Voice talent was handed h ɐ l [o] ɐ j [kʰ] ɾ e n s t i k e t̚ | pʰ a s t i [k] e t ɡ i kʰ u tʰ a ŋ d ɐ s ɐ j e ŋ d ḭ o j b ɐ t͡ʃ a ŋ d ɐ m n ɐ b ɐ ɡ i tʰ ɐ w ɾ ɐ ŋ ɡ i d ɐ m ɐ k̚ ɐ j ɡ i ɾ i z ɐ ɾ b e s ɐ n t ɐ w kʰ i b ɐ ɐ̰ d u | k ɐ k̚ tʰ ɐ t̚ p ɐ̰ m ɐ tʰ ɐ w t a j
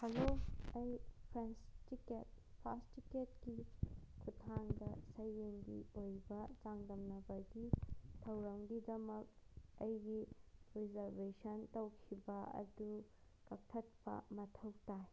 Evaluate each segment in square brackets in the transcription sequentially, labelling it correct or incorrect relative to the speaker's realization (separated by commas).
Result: correct, incorrect, correct